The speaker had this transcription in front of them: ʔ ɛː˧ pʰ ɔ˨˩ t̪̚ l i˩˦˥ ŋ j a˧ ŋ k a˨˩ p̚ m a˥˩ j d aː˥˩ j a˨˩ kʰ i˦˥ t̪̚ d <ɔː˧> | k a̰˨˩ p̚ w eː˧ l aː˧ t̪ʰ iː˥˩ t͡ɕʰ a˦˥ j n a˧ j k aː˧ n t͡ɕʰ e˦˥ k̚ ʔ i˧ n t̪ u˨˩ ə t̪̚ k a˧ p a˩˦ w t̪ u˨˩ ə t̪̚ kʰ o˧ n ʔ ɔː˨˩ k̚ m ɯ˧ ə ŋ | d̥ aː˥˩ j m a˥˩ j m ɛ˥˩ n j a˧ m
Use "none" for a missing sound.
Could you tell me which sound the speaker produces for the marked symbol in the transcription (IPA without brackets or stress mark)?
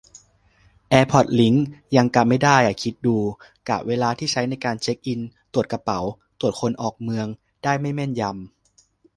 uː˧